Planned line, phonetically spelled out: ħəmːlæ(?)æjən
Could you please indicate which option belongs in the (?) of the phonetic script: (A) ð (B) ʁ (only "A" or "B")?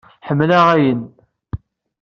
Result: B